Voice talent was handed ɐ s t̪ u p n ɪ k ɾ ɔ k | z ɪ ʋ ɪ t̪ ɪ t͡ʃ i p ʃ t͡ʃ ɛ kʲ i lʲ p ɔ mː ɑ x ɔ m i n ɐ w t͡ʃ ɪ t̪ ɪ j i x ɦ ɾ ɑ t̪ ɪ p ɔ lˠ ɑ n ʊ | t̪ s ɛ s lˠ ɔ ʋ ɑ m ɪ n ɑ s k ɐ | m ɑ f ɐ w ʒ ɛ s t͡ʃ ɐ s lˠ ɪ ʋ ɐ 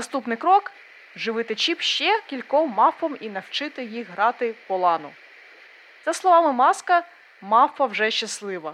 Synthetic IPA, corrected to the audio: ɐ s t̪ u p n ɪ k ɾ ɔ k | ʒ ɪ ʋ ɪ t̪ ɪ t͡ʃ i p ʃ t͡ʃ ɛ kʲ i lʲ k ɔ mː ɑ f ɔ m i n ɐ w t͡ʃ ɪ t̪ ɪ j i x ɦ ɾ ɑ t̪ ɪ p ɔ lˠ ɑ n ʊ | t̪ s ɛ s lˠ ɔ ʋ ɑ m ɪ m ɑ s k ɐ | m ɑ f ɐ w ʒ ɛ ʃ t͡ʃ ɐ s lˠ ɪ ʋ ɐ